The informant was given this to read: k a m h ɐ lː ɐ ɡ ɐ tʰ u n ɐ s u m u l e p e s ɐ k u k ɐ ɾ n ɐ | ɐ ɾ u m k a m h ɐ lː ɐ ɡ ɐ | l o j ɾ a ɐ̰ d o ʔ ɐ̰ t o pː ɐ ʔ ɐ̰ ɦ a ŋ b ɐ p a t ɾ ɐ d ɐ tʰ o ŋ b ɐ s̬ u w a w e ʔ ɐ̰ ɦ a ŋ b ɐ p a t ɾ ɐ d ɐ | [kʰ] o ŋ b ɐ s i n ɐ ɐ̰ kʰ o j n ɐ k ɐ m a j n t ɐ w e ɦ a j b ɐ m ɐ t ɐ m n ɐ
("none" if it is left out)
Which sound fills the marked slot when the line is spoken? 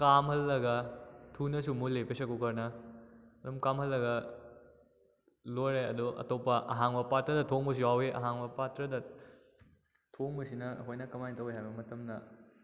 tʰ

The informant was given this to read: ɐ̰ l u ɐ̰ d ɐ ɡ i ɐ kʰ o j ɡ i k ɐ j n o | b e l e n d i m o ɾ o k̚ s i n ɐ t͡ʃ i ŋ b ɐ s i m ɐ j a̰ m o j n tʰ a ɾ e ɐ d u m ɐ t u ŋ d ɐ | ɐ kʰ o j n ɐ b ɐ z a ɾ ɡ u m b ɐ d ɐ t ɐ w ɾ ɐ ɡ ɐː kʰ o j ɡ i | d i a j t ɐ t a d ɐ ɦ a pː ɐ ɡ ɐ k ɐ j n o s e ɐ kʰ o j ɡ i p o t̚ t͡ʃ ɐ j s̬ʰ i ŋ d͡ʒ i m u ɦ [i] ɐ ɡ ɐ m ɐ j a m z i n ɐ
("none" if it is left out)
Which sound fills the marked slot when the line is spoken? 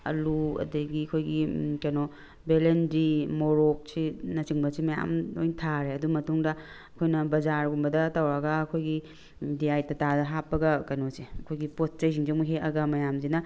e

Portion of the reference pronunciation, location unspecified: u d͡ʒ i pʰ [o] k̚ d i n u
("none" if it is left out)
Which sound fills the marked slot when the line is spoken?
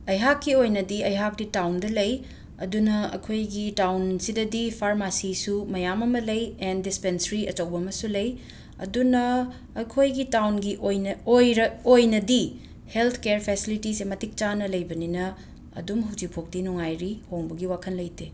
o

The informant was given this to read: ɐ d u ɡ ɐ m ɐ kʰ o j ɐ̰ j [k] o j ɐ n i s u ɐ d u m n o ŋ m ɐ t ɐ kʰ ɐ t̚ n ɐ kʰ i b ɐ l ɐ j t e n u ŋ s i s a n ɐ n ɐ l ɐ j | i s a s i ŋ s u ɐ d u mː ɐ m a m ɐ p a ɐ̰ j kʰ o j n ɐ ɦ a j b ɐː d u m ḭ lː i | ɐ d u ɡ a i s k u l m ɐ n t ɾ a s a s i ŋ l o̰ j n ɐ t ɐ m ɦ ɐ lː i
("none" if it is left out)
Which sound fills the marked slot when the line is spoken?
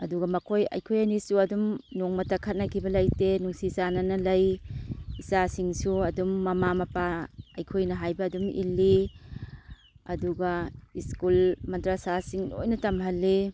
kʰ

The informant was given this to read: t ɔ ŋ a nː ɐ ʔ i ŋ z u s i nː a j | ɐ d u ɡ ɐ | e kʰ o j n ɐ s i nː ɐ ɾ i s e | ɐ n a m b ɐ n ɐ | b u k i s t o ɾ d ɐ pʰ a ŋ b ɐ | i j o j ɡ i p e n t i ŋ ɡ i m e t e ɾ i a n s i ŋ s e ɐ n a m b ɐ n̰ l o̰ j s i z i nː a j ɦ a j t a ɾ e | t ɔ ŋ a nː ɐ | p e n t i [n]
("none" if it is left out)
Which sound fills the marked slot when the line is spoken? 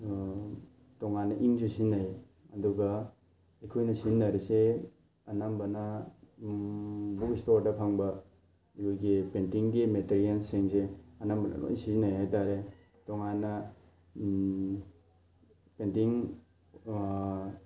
ŋ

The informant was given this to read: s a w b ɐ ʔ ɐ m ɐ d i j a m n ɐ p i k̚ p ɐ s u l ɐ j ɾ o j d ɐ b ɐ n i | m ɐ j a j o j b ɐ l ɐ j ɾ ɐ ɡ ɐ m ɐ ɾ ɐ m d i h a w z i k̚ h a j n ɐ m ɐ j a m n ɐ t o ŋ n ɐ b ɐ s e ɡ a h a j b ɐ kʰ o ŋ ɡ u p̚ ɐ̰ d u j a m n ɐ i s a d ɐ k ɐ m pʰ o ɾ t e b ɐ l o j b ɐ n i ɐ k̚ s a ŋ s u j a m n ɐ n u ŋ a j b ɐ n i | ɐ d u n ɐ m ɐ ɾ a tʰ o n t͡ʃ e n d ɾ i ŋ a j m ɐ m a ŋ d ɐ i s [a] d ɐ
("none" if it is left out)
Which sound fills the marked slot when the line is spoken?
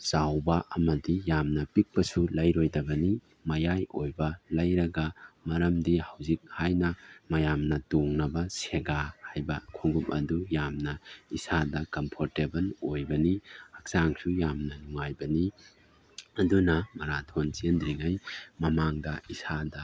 a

